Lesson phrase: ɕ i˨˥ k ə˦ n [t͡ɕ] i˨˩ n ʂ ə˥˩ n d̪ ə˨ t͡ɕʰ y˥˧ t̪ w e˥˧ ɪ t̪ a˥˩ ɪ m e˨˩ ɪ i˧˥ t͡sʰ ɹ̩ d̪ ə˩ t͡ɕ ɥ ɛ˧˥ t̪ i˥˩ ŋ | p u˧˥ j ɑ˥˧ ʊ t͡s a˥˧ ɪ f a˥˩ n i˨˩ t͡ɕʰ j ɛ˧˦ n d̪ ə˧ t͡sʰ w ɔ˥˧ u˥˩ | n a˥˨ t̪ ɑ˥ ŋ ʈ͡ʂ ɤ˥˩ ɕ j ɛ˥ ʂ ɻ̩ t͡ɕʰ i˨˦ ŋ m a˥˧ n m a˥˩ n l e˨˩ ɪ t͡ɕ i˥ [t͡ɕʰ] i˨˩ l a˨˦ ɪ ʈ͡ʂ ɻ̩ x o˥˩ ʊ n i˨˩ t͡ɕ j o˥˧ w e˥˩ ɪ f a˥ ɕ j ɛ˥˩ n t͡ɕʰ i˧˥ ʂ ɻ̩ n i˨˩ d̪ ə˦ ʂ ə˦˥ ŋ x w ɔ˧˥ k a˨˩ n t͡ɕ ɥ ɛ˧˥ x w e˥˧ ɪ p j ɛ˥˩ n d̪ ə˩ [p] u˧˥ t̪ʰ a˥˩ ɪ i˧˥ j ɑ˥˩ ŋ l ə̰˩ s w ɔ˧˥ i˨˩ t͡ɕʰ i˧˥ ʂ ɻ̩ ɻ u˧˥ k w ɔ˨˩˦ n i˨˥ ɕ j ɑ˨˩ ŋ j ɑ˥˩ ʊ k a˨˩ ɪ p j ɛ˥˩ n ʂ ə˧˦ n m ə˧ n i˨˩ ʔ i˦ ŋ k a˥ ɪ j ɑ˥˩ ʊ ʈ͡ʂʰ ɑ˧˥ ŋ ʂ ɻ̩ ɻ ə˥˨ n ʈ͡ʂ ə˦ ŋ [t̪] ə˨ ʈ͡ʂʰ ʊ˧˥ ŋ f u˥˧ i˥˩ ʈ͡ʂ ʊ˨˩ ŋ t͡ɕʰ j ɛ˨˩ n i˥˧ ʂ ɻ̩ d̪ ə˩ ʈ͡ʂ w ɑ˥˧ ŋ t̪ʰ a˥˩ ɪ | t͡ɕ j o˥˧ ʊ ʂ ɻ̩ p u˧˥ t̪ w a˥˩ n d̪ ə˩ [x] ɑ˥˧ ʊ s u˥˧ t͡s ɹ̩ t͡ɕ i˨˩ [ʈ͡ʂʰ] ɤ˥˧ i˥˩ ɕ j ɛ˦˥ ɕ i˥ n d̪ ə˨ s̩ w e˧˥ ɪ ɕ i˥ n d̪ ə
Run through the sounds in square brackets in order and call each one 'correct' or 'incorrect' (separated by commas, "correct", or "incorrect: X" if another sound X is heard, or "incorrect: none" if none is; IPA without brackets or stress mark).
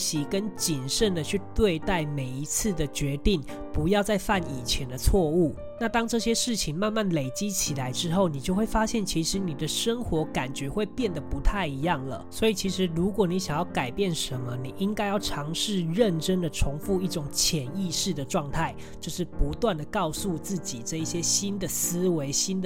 correct, correct, correct, incorrect: d̪, incorrect: k, incorrect: ʈ͡ʂ